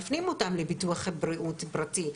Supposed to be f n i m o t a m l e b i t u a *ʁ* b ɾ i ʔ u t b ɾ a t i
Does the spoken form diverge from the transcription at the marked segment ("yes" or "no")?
yes